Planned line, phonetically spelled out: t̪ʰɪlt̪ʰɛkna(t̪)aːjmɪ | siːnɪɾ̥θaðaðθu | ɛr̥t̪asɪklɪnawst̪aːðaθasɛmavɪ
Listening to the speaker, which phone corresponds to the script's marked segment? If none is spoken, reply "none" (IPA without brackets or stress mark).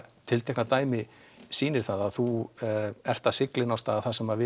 t̪